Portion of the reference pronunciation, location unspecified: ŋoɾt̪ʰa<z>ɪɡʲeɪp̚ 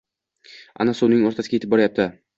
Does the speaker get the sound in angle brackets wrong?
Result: yes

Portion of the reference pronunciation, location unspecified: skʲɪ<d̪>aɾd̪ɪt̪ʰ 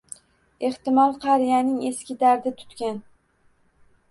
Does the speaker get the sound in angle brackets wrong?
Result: no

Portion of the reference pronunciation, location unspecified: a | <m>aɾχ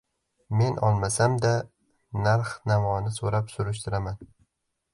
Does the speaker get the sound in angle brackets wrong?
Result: yes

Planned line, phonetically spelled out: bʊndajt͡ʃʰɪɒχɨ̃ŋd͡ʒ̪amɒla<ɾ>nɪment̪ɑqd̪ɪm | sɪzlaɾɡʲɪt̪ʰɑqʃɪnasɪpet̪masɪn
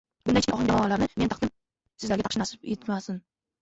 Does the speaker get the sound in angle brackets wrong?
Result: no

